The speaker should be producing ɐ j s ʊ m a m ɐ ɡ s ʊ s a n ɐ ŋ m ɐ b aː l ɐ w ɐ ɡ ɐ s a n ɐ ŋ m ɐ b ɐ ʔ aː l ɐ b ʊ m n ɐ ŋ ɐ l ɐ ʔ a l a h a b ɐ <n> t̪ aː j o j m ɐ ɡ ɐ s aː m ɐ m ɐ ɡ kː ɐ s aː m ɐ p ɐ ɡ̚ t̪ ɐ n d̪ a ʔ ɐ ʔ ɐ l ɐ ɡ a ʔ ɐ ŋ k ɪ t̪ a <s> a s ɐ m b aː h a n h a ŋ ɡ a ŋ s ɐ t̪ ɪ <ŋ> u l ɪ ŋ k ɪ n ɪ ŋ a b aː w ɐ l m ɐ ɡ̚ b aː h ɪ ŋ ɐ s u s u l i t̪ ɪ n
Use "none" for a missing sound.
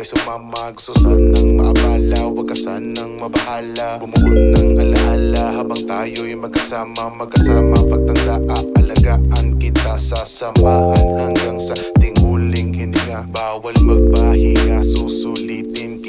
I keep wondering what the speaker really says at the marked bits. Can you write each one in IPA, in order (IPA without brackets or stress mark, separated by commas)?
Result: ŋ, s, ŋ